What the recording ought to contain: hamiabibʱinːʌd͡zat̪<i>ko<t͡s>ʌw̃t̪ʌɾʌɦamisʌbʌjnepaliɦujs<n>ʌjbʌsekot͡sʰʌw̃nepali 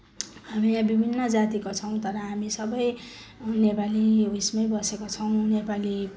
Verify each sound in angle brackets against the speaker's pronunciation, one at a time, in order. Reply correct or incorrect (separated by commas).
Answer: correct, incorrect, incorrect